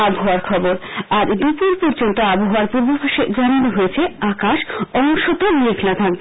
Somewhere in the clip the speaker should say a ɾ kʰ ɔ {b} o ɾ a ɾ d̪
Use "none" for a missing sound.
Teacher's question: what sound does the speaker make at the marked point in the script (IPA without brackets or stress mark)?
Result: b